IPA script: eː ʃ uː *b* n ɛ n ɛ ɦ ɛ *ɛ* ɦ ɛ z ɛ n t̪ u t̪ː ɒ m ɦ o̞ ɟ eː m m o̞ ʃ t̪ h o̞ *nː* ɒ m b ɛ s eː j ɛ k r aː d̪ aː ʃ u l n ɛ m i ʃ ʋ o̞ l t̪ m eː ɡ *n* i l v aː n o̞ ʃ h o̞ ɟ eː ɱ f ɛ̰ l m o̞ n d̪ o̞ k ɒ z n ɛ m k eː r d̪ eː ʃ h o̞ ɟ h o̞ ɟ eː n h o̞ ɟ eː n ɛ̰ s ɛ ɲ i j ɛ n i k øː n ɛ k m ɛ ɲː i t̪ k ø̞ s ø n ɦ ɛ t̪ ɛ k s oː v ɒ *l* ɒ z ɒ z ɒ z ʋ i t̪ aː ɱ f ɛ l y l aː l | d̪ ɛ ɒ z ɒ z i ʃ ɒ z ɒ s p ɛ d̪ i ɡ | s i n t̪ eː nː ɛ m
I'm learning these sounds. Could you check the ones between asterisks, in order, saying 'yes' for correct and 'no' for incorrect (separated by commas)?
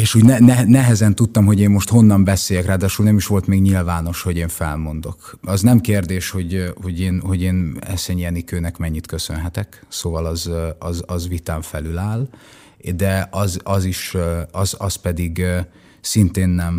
no, yes, yes, no, yes